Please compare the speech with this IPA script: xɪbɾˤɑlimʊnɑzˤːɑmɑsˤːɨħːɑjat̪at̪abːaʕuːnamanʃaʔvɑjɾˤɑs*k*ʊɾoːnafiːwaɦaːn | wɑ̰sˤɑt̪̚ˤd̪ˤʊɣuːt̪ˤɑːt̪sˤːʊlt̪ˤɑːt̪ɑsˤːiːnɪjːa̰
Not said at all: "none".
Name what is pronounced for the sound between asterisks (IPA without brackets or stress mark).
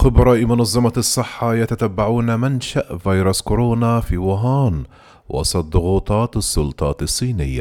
k